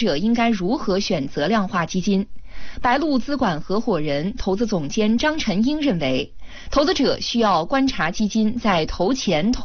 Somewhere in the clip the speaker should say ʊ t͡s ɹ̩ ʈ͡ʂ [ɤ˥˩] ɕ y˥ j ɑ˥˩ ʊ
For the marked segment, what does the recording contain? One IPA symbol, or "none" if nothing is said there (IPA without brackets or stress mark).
ɤ˨˩